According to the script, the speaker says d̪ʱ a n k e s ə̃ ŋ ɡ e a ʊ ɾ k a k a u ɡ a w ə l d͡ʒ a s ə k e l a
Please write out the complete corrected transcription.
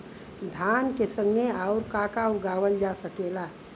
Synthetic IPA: d̪ʱ a n k e s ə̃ ŋ ɡ e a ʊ ɾ k a k a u ɡ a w ə l d͡ʒ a s ə k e l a